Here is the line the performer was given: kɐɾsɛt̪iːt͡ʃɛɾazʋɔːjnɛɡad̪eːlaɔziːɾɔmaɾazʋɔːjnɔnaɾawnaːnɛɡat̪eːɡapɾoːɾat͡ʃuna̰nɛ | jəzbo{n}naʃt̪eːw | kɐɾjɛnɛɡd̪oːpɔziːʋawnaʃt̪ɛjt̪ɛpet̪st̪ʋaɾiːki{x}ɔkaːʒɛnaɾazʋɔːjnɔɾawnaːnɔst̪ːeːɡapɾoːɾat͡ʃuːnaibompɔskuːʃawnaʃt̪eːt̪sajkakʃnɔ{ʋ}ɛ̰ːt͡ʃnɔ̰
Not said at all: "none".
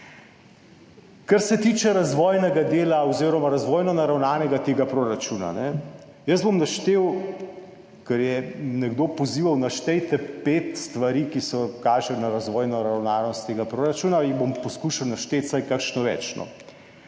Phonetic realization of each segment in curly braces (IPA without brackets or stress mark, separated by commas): m, s, ʋ